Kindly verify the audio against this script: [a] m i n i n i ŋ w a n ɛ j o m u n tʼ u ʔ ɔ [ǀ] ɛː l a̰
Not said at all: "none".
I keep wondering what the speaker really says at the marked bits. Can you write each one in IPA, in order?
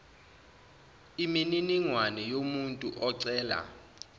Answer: i, ǀ

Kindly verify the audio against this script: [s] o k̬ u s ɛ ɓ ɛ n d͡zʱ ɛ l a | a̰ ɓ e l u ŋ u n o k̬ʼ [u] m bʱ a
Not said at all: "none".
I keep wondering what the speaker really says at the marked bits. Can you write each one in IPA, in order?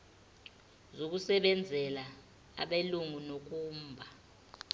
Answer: z, uː

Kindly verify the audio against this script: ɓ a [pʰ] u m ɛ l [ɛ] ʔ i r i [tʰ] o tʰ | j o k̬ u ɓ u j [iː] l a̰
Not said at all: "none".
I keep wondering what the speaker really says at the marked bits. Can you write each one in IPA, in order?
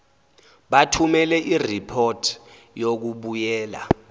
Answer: tʰ, ɛ, pʰ, ɛː

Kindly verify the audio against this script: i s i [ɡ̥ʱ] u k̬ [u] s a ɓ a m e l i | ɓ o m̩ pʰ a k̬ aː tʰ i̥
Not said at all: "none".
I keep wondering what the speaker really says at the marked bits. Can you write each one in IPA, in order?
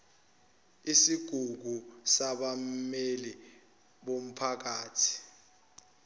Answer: ɡ̥ʱ, u

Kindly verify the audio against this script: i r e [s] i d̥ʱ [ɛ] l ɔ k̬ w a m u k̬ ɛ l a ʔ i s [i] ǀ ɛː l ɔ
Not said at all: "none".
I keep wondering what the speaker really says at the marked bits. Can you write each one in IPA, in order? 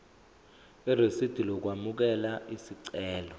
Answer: s, i, i

